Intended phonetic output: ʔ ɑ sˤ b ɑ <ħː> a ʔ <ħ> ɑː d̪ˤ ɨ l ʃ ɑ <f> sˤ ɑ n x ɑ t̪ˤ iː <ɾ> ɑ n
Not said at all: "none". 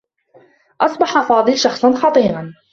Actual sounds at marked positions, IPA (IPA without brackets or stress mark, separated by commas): ħ, f, x, ɾ